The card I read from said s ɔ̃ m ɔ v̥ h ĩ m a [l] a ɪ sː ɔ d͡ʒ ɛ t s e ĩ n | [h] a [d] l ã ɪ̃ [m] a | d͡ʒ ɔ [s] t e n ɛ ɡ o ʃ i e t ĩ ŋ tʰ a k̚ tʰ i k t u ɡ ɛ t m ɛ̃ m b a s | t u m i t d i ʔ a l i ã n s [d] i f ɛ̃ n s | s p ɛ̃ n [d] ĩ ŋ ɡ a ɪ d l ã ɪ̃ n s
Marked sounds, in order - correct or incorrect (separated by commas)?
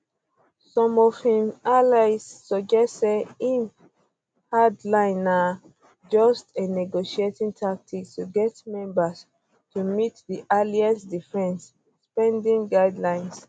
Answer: correct, correct, correct, incorrect, correct, correct, correct